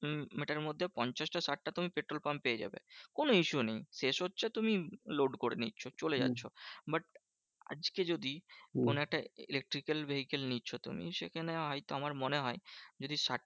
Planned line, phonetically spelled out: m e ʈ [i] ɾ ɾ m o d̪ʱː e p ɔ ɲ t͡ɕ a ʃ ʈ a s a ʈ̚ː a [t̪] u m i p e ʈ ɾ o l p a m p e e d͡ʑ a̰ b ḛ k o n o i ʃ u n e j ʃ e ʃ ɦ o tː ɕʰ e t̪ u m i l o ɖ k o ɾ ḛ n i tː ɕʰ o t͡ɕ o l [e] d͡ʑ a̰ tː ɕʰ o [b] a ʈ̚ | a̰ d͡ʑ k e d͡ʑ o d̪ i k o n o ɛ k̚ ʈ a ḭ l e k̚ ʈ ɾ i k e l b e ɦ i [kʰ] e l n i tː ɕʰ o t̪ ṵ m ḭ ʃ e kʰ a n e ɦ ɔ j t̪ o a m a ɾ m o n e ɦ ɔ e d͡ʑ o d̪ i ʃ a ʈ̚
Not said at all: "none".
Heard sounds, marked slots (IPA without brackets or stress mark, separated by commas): a, t̪, e, b, k